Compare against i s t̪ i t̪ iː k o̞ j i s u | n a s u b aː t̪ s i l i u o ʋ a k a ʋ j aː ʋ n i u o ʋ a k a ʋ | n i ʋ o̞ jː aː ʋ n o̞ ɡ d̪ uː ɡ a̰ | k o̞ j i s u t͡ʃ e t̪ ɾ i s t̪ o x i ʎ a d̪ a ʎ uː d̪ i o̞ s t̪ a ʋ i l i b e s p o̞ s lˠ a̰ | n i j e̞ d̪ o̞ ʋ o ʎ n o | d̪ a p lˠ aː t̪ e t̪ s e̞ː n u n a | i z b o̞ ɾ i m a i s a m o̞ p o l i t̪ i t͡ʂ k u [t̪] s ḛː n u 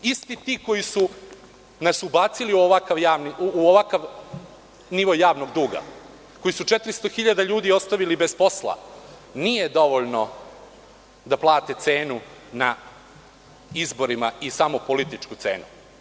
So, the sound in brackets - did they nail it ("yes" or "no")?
yes